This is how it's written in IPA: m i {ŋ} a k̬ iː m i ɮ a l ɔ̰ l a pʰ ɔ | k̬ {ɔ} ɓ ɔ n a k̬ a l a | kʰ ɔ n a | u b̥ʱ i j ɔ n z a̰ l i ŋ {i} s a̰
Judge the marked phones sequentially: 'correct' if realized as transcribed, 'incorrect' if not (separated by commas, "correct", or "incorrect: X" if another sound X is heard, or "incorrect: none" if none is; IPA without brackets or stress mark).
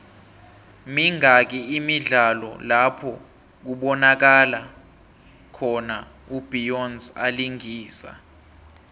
correct, incorrect: u, incorrect: iː